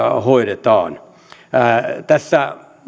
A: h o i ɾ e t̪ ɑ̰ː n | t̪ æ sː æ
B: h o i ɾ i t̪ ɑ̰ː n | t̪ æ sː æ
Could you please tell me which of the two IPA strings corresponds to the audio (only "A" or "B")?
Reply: A